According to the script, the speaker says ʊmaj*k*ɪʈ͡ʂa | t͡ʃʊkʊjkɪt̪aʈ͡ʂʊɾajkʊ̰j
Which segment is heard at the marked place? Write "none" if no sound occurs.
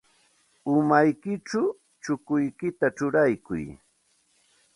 k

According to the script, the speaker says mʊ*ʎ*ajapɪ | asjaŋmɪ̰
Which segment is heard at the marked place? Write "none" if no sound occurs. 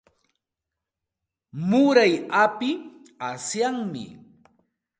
ɾ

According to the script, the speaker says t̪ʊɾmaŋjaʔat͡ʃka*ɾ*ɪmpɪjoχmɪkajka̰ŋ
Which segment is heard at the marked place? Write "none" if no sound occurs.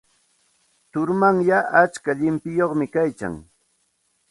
ʎ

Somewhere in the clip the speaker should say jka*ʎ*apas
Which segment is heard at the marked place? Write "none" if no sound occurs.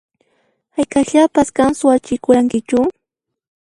ʎ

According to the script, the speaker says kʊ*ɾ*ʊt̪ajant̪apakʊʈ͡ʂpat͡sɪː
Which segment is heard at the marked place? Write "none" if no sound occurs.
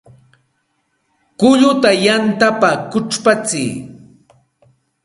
ʎ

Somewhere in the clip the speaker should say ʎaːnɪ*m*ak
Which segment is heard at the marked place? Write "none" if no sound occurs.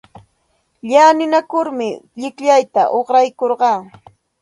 n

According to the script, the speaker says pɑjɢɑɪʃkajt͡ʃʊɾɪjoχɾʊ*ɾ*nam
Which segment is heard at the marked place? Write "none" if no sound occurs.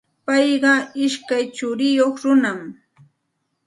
none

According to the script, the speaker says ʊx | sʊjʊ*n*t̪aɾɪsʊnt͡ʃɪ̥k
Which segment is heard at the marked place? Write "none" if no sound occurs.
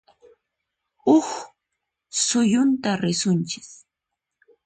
n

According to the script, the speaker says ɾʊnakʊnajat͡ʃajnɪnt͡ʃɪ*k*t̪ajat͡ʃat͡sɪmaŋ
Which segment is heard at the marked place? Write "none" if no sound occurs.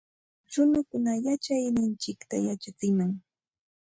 k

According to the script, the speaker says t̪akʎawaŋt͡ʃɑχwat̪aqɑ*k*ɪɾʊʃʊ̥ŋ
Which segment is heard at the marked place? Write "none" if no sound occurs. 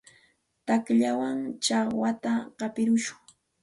p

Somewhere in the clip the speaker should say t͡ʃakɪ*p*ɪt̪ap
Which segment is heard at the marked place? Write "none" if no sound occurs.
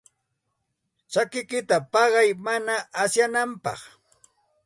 k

